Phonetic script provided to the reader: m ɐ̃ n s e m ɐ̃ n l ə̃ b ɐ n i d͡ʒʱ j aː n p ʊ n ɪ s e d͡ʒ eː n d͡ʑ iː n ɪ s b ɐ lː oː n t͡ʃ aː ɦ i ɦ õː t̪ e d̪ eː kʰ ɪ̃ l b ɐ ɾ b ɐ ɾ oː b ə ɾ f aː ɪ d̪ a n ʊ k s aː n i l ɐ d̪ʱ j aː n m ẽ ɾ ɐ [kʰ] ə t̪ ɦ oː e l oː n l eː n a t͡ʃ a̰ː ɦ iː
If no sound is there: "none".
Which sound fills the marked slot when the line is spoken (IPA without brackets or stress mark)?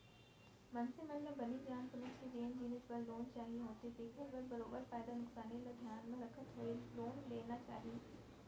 kʰ